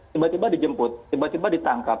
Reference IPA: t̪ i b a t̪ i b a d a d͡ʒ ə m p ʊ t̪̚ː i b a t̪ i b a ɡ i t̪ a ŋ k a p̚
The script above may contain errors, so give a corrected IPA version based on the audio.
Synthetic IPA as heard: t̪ i b a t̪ i b a d i d͡ʒ ə m p ʊ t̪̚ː i b a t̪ i b a d i t̪ a ŋ k a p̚